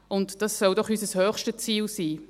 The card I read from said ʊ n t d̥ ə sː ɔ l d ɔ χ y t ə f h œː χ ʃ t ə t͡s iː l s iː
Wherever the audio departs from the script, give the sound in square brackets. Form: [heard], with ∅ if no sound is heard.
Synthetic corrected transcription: ʊ n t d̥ [ɑ] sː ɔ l d ɔ χ y [s] ə [s] h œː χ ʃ t ə t͡s iː l s iː

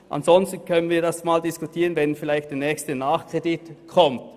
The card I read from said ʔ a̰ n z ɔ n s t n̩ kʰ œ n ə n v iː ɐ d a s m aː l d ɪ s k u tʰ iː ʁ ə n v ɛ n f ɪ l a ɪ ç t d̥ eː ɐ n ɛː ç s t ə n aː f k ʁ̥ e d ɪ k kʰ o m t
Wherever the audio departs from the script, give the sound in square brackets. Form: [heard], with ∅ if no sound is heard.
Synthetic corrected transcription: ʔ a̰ n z ɔ n s t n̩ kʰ œ n ə n v iː ɐ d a s m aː l d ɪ s k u tʰ iː ʁ ə n v ɛ n f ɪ l a ɪ ç t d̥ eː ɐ n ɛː ç s t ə n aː [χ] k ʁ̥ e d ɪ [t] kʰ [ɔ] m t

